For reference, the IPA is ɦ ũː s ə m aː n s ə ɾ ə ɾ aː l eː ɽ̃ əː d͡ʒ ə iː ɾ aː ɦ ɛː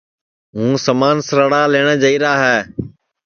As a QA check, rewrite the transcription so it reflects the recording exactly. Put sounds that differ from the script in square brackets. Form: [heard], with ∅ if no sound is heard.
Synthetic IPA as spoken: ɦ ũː s ə m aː n s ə ɾ ə [ɽ] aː l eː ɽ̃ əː d͡ʒ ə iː ɾ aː ɦ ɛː